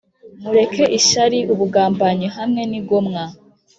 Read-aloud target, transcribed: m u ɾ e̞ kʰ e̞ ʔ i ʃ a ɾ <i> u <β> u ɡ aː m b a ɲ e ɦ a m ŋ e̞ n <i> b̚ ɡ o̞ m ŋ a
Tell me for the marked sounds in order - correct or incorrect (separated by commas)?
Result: correct, correct, correct